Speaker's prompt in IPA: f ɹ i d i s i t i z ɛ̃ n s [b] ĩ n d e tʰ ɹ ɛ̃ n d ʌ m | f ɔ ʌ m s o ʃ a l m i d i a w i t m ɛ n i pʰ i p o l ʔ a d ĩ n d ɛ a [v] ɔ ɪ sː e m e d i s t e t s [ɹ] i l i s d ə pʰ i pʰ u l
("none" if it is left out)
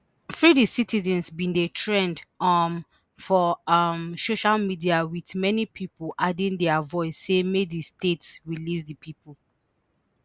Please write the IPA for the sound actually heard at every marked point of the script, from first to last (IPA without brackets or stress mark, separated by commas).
b, v, ɹ